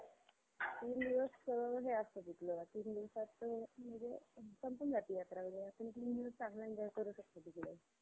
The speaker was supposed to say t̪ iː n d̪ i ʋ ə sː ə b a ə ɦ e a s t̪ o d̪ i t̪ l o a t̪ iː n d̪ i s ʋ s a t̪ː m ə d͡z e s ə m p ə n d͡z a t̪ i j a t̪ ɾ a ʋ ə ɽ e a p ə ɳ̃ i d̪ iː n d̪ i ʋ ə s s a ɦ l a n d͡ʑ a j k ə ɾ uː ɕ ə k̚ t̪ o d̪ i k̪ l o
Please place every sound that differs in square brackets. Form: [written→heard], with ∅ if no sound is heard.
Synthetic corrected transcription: t̪ iː n d̪ i ʋ ə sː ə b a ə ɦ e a s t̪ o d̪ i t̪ l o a t̪ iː n d̪ i [s→∅] ʋ s a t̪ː m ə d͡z e s ə m p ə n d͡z a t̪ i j a t̪ ɾ a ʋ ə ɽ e a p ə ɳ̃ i [d̪→t̪] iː n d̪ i ʋ ə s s a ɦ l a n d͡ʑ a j k ə ɾ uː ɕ ə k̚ t̪ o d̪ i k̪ l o